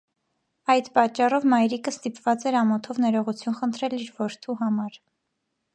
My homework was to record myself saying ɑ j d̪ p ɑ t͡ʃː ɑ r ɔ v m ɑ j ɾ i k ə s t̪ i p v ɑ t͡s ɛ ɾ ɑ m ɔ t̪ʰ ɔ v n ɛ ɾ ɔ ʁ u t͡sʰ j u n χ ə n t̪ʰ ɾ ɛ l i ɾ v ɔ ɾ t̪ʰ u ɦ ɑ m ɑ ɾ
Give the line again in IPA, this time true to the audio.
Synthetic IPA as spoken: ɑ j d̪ p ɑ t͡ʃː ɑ r ɔ v m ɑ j ɾ i k ə s t̪ i p v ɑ t͡s ɛ ɾ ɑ m ɔ t̪ʰ ɔ v n ɛ ɾ ɔ ʁ u t͡sʰ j u n χ ə n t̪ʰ ɾ ɛ l i ɾ v ɔ ɾ t̪ʰ u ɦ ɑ m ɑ ɾ